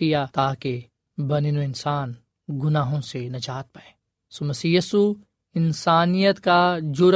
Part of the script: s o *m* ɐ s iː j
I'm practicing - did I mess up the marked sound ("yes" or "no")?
no